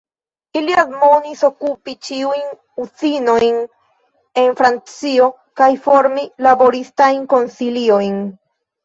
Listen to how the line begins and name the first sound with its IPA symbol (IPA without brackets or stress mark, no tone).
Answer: i